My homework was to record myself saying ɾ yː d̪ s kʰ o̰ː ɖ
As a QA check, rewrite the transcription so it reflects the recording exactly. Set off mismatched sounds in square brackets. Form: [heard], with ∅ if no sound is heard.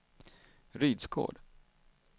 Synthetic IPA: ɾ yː d̪ s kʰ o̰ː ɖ